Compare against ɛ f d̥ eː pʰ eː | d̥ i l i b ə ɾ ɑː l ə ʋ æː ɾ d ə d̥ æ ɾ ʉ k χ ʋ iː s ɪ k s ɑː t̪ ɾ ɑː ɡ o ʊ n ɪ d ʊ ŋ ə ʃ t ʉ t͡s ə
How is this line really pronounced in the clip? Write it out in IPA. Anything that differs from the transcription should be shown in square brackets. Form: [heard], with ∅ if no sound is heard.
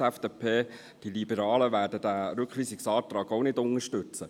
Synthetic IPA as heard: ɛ f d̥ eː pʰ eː | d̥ i l i b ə ɾ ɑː l ə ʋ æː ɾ d ə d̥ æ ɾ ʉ k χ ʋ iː s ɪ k s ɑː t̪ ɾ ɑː ɡ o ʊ n ɪ d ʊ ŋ ə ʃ t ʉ t͡s ə